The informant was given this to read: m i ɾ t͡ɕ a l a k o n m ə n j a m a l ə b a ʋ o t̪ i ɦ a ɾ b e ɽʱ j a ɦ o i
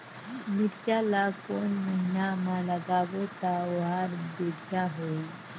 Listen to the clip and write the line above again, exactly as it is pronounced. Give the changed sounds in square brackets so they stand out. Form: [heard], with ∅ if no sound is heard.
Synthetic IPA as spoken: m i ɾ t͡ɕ a l a k o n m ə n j a m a l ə [ɡ] a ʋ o t̪ [a] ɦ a ɾ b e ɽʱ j a ɦ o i